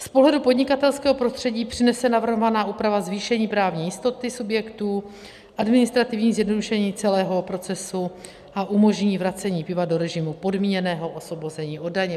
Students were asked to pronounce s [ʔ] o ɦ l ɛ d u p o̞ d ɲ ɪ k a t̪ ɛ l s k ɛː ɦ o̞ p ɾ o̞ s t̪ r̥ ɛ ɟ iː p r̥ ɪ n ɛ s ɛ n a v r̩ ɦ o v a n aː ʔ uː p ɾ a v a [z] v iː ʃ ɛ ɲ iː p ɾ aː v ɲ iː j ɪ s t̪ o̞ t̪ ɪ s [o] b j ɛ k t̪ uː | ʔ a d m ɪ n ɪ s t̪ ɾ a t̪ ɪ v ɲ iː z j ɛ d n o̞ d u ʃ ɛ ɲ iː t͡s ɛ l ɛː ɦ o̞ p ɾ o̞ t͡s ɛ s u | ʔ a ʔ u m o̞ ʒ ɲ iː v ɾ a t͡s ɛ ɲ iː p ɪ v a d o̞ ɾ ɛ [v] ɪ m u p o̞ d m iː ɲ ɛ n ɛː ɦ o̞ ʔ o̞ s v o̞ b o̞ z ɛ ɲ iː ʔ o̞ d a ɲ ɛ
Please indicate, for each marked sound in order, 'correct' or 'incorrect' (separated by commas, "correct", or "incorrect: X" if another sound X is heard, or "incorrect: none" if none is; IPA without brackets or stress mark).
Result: incorrect: p, correct, incorrect: u, incorrect: ʒ